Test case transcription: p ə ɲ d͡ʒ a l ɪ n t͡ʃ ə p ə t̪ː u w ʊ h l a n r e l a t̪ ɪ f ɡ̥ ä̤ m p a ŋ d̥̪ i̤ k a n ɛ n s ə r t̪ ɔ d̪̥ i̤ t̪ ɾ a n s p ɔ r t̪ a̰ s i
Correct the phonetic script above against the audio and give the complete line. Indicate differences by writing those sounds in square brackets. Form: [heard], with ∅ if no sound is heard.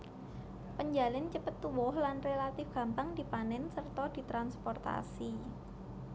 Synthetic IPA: p ə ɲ d͡ʒ a l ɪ n t͡ʃ ə p ə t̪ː u w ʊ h l a n r e l a t̪ ɪ f ɡ̥ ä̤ m p a ŋ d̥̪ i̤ [p] a n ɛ n s ə r t̪ ɔ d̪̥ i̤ t̪ ɾ a n s p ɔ r t̪ a̰ s i